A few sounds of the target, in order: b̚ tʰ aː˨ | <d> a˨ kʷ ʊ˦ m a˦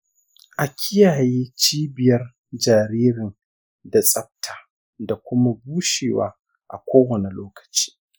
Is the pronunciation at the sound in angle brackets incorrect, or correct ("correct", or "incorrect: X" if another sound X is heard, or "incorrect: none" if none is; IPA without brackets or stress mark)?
correct